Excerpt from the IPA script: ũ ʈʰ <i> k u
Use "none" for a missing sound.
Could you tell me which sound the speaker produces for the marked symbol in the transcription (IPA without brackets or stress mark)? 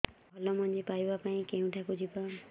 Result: a